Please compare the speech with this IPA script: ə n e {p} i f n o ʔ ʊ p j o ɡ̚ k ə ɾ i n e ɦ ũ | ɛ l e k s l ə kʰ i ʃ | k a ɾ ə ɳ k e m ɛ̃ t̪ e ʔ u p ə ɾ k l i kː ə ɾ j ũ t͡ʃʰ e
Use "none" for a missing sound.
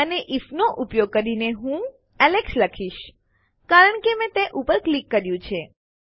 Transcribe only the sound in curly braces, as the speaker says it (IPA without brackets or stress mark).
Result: ʔ